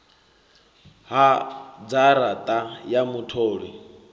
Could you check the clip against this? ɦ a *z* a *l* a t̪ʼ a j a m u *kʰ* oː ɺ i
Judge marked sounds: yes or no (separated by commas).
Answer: no, no, no